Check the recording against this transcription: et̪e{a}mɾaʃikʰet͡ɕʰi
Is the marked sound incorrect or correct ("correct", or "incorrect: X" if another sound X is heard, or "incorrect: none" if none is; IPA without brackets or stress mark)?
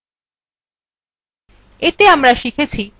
correct